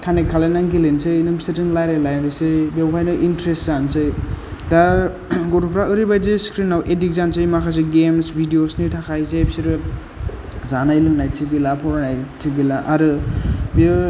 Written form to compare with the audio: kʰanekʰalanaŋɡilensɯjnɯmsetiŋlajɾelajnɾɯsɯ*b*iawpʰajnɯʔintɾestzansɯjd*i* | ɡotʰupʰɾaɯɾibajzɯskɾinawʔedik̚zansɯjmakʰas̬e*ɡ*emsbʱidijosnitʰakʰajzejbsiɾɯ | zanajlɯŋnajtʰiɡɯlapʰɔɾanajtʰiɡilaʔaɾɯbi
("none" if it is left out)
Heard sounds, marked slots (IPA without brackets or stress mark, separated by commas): b, a, ɡ